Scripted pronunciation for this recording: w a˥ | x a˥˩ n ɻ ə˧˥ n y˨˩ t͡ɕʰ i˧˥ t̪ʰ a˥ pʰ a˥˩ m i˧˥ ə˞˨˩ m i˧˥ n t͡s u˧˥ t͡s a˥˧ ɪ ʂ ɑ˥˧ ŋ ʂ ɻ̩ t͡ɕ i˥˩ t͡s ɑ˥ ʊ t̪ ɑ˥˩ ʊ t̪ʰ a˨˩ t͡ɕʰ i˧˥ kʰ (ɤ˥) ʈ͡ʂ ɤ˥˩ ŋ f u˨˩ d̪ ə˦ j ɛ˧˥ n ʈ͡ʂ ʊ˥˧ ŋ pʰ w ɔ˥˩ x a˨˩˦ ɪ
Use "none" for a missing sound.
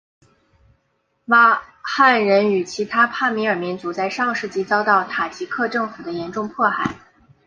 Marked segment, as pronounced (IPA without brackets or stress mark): ɤ˥˧